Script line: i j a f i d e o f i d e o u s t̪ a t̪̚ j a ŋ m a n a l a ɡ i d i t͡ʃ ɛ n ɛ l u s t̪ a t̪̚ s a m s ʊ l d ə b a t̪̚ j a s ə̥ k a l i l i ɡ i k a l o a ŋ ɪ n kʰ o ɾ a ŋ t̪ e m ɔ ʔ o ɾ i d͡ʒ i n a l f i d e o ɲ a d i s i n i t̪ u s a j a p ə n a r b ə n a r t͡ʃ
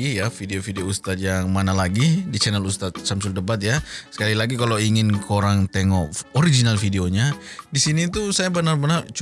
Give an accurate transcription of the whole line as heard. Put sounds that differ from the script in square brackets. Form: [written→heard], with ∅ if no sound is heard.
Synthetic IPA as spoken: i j a f i d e o f i d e o u s t̪ a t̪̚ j a ŋ m a n a l a ɡ i d i t͡ʃ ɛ n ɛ l u s t̪ a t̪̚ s a m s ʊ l d ə b a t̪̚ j a s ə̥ k a l i l [i→a] ɡ i k a l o [a→i] ŋ ɪ n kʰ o ɾ a ŋ t̪ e [m→ŋ] ɔ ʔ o ɾ i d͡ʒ i n a l f i d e o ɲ a d i s i n i t̪ u s a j a [p→b] ə n a r b ə n a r t͡ʃ